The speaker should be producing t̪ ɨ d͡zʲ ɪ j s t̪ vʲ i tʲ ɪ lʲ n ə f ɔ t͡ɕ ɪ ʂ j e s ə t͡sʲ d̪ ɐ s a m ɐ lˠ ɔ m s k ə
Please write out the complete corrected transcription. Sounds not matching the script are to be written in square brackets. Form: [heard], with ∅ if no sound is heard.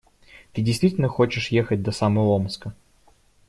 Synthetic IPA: t̪ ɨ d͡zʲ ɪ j s t̪ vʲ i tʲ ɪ lʲ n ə [x] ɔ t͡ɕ ɪ ʂ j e [x] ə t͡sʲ d̪ ɐ s a m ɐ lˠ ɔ m s k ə